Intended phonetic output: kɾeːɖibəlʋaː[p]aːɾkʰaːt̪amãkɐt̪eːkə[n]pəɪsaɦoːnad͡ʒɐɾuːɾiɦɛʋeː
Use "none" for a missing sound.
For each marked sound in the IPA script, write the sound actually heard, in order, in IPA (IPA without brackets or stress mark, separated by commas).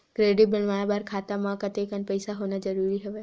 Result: b, n